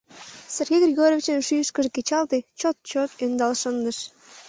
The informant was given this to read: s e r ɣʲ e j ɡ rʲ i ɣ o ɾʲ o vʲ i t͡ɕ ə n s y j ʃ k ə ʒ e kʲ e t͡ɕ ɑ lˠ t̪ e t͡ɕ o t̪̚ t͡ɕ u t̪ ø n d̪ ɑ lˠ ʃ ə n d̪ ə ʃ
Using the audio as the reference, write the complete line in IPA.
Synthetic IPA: s e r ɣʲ e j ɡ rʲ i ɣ o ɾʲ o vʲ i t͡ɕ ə n ʃ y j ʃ k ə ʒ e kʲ e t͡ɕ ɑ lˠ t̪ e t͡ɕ o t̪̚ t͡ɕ o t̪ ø n d̪ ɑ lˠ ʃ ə n d̪ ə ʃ

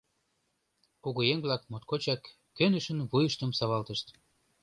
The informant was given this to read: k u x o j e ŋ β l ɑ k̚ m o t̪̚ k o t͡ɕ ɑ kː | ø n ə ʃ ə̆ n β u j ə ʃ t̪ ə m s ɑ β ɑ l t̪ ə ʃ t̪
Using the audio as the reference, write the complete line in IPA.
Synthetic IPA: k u ɣ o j e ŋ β l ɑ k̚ m o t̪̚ k o t͡ɕ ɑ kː | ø n ə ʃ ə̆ n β u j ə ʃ t̪ ə m s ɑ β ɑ l t̪ ə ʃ t̪

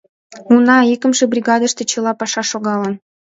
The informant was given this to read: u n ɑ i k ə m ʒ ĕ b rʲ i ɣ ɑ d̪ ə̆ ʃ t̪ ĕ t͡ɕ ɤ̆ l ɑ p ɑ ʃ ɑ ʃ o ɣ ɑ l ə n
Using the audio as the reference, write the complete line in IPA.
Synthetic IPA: u n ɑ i k ə m ʒ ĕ b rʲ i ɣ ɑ d̪ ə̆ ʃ t̪ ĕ t͡ɕ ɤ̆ l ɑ p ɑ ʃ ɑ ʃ o ɣ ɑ l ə n

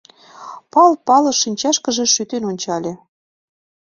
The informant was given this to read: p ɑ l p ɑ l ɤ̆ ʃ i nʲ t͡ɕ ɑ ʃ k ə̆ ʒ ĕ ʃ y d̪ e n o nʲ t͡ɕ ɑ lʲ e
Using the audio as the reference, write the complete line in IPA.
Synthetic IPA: p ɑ l p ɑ l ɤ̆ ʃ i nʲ t͡ɕ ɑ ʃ k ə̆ ʒ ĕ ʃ y t̪ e n o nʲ t͡ɕ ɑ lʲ e

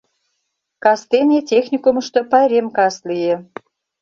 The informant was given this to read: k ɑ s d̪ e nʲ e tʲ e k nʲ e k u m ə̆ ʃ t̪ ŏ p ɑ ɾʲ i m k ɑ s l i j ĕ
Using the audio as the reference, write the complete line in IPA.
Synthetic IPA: k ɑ s t̪ e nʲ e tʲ e x nʲ i k u m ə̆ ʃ t̪ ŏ p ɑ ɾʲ e m k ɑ s l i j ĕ

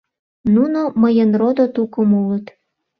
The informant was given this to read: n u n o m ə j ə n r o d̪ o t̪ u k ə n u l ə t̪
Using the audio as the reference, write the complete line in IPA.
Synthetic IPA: n u n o m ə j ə n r o d̪ o t̪ u k ə m u l ə t̪

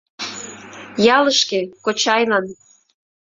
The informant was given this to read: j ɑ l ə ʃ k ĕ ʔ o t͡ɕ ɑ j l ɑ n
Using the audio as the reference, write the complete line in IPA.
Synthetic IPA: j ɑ l ə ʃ k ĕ k o t͡ɕ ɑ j l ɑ n

